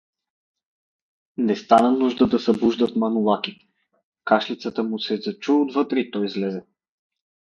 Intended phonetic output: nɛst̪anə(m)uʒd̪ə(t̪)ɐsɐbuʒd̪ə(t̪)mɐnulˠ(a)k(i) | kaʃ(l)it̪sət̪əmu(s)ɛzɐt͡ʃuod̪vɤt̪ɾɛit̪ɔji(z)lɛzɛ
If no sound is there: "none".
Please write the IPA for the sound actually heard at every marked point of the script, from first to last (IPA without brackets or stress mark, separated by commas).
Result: n, d̪, t̪, a, i, l, s, z